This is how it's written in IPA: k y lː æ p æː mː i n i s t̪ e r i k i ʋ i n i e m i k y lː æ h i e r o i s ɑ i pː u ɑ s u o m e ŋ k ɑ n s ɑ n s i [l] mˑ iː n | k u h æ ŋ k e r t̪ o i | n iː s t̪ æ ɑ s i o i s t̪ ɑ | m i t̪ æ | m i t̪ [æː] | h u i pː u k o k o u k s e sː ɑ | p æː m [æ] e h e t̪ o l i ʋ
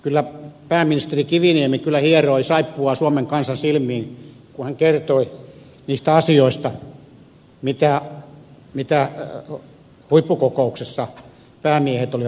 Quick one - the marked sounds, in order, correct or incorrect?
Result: correct, incorrect, incorrect

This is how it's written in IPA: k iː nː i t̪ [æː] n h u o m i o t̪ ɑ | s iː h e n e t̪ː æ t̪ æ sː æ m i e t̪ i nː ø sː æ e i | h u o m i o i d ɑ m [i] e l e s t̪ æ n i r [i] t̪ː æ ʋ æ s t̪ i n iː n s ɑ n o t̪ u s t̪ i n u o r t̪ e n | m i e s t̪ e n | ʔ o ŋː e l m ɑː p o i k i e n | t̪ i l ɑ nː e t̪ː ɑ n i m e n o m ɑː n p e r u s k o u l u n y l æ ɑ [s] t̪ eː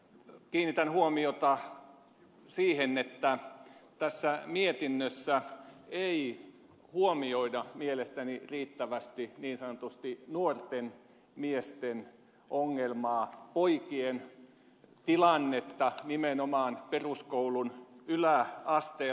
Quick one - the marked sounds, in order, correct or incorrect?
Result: incorrect, correct, incorrect, correct

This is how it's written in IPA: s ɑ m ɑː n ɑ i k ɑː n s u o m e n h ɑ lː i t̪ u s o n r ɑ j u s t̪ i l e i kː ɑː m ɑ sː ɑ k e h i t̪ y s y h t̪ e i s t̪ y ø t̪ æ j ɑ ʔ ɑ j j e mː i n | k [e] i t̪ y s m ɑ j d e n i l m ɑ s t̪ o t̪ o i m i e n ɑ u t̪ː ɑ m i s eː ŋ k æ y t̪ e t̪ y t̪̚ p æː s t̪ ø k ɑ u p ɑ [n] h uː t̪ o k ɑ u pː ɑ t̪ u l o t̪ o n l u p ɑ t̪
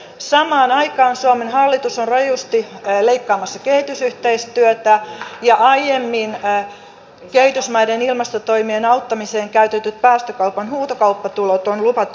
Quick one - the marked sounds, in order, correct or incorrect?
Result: correct, correct

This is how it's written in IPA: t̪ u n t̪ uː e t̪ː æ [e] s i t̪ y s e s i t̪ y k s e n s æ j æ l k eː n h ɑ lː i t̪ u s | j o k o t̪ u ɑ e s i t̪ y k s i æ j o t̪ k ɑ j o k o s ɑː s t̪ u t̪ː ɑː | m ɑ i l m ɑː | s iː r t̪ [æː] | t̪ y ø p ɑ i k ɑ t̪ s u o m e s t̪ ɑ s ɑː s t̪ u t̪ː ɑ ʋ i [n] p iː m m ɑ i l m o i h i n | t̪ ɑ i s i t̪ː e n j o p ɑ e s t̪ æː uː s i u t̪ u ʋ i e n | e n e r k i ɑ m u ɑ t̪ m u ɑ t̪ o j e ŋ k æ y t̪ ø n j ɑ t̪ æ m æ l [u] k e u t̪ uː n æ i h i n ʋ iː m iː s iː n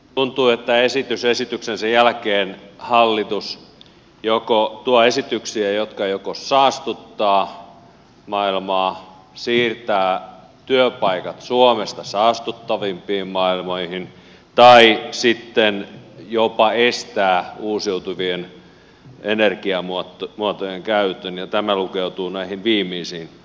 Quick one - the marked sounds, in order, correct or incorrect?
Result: correct, correct, incorrect, correct

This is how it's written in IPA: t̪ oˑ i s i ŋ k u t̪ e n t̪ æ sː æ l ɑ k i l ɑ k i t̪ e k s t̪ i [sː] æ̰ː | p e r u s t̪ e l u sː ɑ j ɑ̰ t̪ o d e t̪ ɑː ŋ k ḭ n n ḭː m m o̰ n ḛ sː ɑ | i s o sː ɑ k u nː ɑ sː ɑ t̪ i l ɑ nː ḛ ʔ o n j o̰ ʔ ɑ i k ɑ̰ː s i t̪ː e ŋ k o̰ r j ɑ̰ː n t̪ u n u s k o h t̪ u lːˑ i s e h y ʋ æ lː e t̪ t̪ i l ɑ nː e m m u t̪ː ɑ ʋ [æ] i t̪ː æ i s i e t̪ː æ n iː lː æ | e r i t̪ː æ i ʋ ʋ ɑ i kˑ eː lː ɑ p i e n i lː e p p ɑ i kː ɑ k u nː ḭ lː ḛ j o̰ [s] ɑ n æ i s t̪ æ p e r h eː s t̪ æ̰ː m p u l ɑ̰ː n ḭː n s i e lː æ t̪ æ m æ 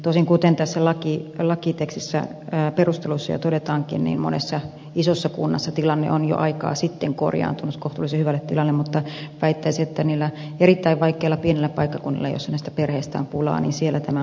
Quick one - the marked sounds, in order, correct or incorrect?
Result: correct, correct, incorrect

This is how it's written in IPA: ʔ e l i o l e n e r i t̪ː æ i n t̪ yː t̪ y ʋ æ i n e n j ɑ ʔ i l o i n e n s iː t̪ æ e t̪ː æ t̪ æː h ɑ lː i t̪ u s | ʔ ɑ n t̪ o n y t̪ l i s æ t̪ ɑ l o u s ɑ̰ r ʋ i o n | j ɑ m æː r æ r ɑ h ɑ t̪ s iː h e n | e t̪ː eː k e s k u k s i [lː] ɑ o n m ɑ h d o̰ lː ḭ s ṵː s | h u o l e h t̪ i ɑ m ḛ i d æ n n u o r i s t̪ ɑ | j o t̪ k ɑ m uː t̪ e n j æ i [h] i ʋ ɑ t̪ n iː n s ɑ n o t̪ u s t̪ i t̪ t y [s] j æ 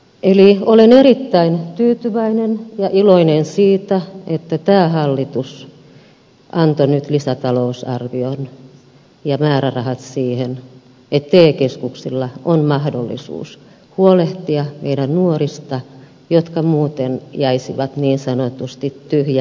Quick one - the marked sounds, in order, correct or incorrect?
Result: correct, incorrect, incorrect

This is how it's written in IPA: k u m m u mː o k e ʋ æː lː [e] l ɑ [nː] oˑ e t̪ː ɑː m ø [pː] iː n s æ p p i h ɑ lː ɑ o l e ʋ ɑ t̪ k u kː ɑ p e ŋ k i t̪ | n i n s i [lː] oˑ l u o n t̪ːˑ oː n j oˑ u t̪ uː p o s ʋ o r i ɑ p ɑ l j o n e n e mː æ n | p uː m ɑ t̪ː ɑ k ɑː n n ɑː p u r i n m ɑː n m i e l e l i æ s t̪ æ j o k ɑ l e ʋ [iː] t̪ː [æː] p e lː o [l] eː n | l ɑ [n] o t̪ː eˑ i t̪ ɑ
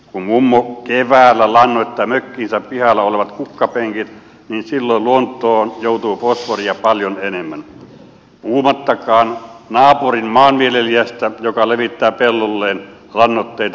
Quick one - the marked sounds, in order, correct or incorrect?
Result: incorrect, correct, incorrect, correct, incorrect, correct, incorrect, incorrect

